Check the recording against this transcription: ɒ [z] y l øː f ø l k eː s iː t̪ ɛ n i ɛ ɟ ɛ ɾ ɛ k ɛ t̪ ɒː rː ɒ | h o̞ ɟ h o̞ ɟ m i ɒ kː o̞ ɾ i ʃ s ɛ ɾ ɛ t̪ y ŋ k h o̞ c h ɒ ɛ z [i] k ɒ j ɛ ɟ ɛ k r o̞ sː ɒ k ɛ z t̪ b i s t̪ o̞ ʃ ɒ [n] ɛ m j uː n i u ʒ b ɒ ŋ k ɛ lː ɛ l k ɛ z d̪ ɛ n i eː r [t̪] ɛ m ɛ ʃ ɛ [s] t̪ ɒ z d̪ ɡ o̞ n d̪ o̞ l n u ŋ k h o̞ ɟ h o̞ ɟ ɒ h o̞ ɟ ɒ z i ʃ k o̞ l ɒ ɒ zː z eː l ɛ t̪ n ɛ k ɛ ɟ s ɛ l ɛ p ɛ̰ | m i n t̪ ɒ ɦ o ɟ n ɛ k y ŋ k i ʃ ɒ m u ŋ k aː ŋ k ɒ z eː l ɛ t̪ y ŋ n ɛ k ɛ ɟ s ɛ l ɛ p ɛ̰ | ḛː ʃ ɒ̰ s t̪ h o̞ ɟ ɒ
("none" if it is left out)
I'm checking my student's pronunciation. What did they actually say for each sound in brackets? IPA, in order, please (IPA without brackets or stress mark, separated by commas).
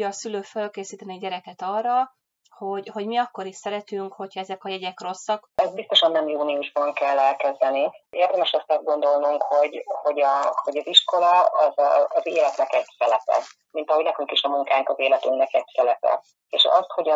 s, ɛ, nː, d̪, s